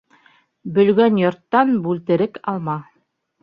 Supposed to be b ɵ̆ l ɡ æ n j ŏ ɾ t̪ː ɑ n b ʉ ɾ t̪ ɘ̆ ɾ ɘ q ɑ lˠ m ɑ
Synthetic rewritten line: b ɵ̆ l ɡ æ n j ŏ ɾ t̪ː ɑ n b ʉ l t̪ ɘ̆ ɾ ɘ k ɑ lˠ m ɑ